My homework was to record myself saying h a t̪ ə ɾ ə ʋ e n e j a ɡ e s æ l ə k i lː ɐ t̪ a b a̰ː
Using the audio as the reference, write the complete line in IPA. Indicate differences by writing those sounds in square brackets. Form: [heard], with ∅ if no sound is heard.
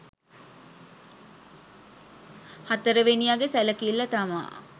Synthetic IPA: h a t̪ ə ɾ ə ʋ e n [i] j a ɡ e s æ l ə k i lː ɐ t̪ a [m] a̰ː